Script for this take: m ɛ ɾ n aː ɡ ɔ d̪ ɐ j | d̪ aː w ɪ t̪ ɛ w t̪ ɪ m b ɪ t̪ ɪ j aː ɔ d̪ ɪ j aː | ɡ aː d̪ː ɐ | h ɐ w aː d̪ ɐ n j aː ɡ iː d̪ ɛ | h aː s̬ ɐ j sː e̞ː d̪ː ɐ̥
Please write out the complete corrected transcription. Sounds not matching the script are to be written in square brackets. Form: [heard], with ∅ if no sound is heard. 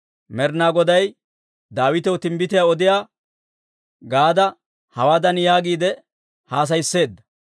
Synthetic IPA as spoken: m ɛ ɾ n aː ɡ ɔ d̪ ɐ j | d̪ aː w ɪ t̪ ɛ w t̪ ɪ m b ɪ t̪ ɪ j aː ɔ d̪ ɪ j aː | ɡ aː [d̪] ɐ | h ɐ w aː d̪ ɐ n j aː ɡ iː d̪ ɛ | h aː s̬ ɐ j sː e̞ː d̪ː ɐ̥